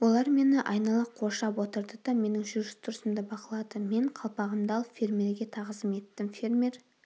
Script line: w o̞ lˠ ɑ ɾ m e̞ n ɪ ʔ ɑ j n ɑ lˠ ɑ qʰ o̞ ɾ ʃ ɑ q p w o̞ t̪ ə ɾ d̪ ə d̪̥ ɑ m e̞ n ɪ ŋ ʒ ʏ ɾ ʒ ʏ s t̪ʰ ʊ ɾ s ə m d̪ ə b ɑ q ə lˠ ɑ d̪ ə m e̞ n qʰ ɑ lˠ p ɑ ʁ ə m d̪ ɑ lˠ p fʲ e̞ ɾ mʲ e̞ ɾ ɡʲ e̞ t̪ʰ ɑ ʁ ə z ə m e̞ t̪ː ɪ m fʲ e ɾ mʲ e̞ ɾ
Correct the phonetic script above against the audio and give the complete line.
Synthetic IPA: w o̞ lˠ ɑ ɾ m e̞ n ɪ ʔ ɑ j n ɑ lˠ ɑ qʰ o̞ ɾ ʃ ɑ p w o̞ t̪ ə ɾ d̪ ə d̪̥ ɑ m e̞ n ɪ ŋ ʒ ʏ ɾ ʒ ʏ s t̪ʰ ʊ ɾ s ə m d̪ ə b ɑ q ə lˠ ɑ d̪ ə m e̞ ɴ qʰ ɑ lˠ p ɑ ʁ ə m d̪ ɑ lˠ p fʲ e̞ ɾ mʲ e̞ ɾ ɡʲ e̞ t̪ʰ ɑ ʁ ə z ə m e̞ t̪ː ɪ m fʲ e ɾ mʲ e̞ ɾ